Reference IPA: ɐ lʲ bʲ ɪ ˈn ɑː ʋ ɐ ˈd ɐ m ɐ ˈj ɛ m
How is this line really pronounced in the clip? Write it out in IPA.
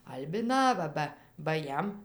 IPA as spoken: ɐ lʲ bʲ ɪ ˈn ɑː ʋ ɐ ˈb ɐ b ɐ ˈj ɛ m

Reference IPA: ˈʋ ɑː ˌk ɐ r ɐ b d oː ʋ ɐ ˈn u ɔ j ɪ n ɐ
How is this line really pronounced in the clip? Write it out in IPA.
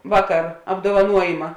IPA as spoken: ˈʋ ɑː ˌk ɐ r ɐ b d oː ʋ ɐ ˈn u ɔ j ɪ m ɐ

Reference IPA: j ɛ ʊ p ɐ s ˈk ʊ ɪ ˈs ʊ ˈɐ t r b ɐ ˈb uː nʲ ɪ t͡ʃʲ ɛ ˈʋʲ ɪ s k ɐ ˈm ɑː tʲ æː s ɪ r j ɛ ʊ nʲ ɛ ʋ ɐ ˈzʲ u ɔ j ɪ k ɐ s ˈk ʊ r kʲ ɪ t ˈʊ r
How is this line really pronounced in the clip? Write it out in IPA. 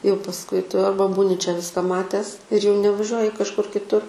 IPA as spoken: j ɛ ʊ p ɐ s ˈk ʊ ɪ ˈt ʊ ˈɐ r b ɐ ˈb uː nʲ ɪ t͡ʃʲ ɛ ˈʋʲ ɪ s k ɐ ˈm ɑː tʲ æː s ɪ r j ɛ ʊ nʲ ɛ ʋ ɐ ˈʒʲ u ɔ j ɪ k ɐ ʃ ˈk ʊ r kʲ ɪ t ˈʊ r

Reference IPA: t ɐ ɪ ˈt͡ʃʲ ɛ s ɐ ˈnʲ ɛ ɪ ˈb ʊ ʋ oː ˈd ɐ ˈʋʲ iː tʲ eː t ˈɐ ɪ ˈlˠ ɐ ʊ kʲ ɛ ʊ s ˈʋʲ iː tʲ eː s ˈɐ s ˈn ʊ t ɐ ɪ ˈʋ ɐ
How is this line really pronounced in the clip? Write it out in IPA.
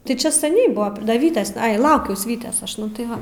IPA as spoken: t ɐ ɪ ˈt͡ʃʲ ɛ s ɐ ˈnʲ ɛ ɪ ˈb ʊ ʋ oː ˈd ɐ ˈʋʲ iː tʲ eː s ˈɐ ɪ ˈlˠ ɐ ʊ kʲ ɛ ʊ s ˈʋʲ iː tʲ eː s ˈɐ ʃ ˈn ʊ t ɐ ɪ ˈʋ ɐ

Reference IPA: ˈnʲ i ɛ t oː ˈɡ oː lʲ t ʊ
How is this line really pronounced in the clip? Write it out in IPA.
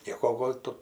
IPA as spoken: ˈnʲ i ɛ k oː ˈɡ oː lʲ t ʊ

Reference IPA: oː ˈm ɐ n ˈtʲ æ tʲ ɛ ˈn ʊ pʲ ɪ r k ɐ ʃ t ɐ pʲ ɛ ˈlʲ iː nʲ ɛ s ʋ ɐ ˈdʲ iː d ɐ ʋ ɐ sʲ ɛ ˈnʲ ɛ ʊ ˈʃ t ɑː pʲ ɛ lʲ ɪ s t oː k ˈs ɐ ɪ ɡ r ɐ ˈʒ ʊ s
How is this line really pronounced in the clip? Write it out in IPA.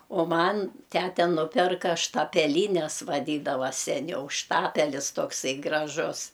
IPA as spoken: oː ˈm ɐ n ˈtʲ æ tʲ ɛ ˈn ʊ pʲ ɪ r k ɐ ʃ t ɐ pʲ ɛ ˈlʲ iː nʲ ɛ s ʋ ɐ ˈdʲ iː d ɐ ʋ ɐ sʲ ɛ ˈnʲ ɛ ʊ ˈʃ t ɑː pʲ ɛ lʲ ɪ s t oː k ˈs ɐ ɪ ɡ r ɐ ˈʒ ʊ s

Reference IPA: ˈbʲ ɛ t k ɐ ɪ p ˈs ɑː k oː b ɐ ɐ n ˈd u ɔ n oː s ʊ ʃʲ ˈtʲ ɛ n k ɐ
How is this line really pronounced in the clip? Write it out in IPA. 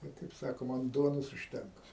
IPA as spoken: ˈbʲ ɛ t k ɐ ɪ p ˈs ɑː k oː m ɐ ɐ n ˈd u ɔ n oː s ʊ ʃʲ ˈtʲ ɛ ŋ k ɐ

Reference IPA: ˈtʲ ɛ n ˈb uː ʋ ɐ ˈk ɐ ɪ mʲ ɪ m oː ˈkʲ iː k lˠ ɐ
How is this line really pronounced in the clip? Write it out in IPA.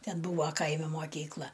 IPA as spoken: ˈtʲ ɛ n ˈb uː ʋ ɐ ˈk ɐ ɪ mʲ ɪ m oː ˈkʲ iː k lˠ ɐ

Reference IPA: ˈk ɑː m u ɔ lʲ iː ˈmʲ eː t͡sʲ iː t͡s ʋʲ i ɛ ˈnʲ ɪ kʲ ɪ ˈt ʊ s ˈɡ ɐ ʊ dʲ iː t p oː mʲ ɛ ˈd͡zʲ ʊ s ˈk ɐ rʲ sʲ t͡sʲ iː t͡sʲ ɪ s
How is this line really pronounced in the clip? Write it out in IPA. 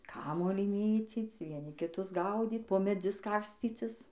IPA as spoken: ˈk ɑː m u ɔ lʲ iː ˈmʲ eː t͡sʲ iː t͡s ʋʲ i ɛ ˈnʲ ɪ kʲ ɪ ˈt ʊ s ˈɡ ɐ ʊ dʲ iː t p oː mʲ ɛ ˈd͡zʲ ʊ s ˈk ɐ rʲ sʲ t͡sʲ iː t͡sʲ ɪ s

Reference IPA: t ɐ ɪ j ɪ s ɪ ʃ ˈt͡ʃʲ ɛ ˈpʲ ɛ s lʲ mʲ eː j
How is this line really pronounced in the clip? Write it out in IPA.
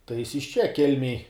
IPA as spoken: t ɐ ɪ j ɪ s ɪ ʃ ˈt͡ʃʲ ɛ ˈkʲ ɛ lʲ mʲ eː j

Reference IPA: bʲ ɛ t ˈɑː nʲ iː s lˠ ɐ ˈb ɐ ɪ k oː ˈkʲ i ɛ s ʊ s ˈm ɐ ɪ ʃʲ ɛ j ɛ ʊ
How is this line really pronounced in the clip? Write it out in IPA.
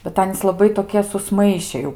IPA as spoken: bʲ ɛ t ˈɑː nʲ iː s lˠ ɐ ˈb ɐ ɪ t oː ˈkʲ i ɛ s ʊ s ˈm ɐ ɪ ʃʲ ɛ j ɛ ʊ

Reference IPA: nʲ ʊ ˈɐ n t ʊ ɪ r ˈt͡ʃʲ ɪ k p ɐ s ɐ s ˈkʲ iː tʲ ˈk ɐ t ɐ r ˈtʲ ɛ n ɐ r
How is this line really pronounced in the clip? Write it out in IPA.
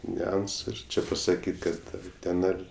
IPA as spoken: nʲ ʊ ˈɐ n s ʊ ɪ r ˈt͡ʃʲ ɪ p ɐ s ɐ ˈkʲ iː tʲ ˈk ɐ t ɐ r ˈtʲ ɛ n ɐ r

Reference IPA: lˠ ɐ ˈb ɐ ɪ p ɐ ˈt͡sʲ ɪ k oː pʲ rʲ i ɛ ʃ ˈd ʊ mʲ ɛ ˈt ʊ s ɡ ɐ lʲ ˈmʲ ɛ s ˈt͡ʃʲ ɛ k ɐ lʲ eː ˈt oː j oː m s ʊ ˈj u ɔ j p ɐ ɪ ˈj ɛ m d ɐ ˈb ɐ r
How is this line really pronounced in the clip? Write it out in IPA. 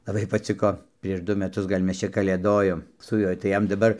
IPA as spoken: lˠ ɐ ˈb ɐ ɪ p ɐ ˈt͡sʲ ɪ k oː pʲ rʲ i ɛ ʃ ˈd ʊ mʲ ɛ ˈt ʊ s ɡ ɐ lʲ ˈmʲ ɛ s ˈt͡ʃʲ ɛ k ɐ lʲ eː ˈd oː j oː m s ʊ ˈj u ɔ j t ɐ ɪ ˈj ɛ m d ɐ ˈb ɐ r

